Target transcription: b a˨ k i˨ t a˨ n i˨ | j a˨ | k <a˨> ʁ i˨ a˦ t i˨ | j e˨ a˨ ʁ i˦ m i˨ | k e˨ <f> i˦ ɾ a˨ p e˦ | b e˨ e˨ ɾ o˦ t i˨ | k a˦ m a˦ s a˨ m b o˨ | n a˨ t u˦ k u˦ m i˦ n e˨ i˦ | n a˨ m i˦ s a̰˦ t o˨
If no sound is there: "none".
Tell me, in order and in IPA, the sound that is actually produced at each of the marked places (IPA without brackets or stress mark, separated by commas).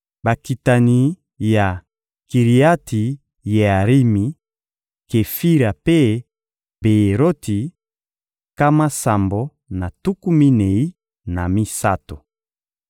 i˨, f